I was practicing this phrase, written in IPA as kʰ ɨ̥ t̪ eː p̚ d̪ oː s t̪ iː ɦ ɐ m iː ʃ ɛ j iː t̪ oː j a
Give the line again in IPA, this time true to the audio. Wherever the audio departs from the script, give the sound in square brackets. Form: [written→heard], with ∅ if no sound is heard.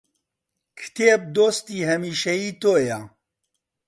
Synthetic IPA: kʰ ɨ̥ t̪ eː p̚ d̪ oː s t̪ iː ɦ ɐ m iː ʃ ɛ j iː t̪ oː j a